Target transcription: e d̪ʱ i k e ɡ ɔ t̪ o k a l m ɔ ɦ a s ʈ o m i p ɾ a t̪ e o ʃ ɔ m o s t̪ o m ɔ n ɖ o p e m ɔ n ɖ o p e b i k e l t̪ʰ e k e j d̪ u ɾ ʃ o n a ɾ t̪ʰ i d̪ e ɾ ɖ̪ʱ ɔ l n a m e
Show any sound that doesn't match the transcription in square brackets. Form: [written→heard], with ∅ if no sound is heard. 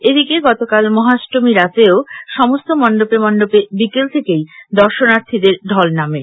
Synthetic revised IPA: e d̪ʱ i k e ɡ ɔ t̪ o k a l m ɔ ɦ a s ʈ o m i [p→∅] ɾ a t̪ e o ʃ ɔ m o s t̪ o m ɔ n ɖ o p e m ɔ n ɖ o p e b i k e l t̪ʰ e k e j d̪ [u→ɔ] ɾ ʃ o n a ɾ t̪ʰ i d̪ e ɾ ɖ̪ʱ ɔ l n a m e